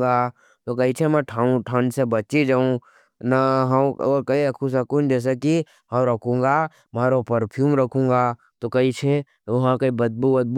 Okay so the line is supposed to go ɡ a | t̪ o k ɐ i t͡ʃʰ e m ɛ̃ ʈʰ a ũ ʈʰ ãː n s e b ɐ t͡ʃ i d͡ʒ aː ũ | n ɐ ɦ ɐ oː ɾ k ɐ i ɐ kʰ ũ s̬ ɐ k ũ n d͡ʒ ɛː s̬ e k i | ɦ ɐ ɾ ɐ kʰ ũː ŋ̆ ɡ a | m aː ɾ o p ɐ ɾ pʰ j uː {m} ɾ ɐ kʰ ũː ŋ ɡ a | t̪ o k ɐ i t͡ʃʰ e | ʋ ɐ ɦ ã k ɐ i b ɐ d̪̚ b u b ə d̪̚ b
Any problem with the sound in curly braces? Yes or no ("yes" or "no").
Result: no